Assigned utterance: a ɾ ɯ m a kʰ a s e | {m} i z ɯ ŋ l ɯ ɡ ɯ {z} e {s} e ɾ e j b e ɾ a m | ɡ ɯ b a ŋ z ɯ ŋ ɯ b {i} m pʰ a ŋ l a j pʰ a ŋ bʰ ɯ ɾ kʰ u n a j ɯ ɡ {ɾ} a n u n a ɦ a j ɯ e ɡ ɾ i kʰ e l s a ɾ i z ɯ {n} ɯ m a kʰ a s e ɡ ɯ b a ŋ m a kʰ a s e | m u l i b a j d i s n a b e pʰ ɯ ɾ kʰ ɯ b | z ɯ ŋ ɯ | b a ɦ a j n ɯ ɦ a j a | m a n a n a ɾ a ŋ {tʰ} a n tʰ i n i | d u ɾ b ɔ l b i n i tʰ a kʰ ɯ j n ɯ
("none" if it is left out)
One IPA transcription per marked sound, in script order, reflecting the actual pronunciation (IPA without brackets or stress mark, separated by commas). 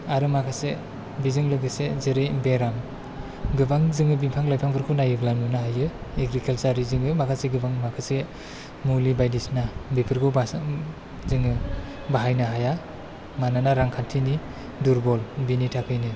b, s, z, i, l, ŋ, kʰ